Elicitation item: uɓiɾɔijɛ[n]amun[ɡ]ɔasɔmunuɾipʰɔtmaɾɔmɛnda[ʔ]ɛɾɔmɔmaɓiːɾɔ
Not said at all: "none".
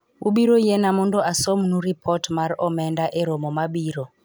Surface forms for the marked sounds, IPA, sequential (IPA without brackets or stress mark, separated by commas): n, d, ʔ